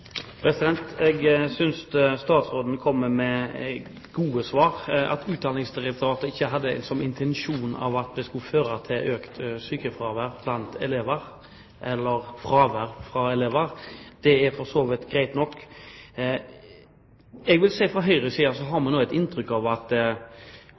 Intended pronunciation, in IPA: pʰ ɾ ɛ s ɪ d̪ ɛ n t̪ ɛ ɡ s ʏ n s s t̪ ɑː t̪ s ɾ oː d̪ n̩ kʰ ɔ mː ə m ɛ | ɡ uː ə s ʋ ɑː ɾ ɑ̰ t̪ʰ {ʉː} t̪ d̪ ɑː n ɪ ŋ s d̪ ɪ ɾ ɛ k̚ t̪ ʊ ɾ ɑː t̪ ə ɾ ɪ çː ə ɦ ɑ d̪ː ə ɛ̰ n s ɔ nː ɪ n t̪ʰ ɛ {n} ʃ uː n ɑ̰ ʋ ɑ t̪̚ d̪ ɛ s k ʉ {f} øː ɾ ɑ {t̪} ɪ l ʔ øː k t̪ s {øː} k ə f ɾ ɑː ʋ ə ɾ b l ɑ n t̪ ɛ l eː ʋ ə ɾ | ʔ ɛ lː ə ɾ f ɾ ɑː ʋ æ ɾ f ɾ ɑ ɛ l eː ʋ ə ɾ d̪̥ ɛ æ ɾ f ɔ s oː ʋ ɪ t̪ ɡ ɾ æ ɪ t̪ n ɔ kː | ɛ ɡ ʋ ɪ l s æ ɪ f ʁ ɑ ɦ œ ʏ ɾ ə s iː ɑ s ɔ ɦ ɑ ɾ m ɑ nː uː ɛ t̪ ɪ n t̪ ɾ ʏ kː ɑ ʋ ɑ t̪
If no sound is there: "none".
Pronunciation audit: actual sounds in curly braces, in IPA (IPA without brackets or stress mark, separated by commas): ʉː, n, f, t̪ʰ, yː